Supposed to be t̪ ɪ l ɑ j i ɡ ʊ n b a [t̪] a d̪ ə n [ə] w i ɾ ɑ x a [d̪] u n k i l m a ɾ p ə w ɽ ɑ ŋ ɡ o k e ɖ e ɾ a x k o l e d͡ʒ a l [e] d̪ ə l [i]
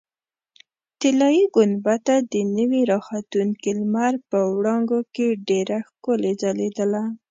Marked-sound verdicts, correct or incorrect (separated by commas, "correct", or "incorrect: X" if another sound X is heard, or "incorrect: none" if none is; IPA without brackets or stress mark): correct, correct, incorrect: t̪, correct, incorrect: a